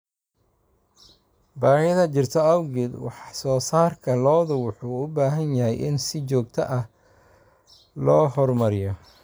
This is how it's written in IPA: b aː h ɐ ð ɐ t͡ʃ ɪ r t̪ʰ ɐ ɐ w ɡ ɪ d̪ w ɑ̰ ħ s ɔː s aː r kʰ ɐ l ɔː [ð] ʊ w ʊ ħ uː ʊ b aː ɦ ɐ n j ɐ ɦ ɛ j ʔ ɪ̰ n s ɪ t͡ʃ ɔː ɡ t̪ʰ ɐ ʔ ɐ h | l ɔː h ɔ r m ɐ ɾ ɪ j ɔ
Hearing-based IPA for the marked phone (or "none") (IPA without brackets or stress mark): ð